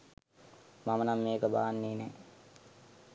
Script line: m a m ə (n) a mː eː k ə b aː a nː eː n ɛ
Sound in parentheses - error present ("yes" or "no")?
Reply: no